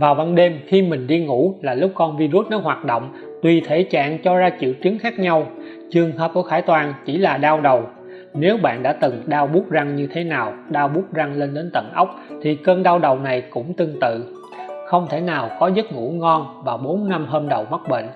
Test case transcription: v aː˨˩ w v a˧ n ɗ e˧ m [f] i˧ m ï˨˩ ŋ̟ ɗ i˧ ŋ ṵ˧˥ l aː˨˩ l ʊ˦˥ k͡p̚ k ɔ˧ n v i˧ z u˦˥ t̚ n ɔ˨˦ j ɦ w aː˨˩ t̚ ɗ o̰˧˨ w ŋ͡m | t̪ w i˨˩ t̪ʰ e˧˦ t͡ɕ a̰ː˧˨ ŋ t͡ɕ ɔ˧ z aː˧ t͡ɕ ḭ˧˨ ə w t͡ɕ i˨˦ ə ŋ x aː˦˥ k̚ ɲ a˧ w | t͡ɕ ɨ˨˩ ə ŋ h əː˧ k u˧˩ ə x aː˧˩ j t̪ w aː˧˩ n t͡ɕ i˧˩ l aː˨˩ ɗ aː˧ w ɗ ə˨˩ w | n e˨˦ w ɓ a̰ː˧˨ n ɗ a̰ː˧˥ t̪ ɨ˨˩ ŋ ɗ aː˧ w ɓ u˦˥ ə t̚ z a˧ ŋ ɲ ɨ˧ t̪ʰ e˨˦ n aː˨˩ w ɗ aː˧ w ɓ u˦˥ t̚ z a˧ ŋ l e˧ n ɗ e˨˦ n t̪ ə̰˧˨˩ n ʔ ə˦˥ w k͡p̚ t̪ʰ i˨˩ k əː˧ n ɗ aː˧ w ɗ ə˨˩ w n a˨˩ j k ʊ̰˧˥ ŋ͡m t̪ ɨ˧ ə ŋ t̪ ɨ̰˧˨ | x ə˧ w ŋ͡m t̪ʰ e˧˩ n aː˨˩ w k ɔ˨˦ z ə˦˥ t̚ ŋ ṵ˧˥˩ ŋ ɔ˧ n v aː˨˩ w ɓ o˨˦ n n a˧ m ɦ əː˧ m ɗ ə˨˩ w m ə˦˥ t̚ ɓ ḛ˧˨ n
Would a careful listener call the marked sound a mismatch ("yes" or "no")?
yes